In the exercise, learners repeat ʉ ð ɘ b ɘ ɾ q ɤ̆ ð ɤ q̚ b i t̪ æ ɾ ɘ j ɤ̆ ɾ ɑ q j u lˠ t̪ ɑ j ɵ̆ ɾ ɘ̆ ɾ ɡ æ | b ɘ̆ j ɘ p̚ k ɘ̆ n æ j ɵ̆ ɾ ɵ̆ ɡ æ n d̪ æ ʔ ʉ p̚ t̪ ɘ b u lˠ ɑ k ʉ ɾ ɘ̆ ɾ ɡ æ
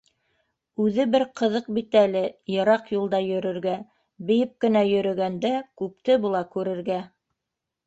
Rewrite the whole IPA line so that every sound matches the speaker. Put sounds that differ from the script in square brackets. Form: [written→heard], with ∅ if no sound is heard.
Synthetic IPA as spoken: ʉ ð ɘ b ɘ ɾ q ɤ̆ ð ɤ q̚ b i t̪ æ [ɾ→l] ɘ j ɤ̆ ɾ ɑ q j u lˠ [t̪→d̪] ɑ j ɵ̆ ɾ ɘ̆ ɾ ɡ æ | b ɘ̆ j ɘ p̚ k ɘ̆ n æ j ɵ̆ ɾ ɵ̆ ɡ æ n d̪ æ [ʔ→k] ʉ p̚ t̪ ɘ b u lˠ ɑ k ʉ ɾ ɘ̆ ɾ ɡ æ